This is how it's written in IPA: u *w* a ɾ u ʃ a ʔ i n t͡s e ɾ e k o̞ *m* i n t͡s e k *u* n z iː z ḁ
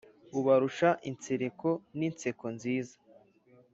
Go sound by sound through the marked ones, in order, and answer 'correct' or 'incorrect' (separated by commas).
incorrect, incorrect, incorrect